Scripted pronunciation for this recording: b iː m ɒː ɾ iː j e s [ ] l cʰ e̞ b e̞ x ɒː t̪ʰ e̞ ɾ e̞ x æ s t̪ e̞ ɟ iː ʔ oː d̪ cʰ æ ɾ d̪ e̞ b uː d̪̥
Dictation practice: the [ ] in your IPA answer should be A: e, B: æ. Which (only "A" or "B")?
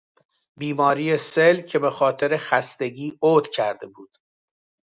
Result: A